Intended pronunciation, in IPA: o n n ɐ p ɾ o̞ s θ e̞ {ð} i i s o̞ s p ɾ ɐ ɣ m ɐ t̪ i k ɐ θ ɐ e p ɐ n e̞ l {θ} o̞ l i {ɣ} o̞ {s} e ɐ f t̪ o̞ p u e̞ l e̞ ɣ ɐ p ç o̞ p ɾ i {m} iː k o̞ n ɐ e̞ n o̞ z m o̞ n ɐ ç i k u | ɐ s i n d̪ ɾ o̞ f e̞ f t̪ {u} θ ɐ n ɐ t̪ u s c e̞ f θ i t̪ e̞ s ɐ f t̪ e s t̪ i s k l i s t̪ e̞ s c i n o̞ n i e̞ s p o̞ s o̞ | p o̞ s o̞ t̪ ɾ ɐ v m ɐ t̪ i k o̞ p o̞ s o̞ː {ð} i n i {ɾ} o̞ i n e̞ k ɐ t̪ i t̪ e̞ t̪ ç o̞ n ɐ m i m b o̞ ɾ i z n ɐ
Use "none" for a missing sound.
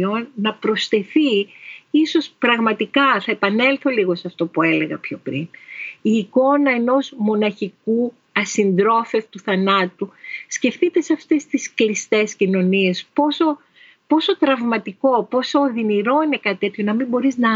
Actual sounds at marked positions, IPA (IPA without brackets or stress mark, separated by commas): θ, θ, ɣ, s, n, u, ð, ɾ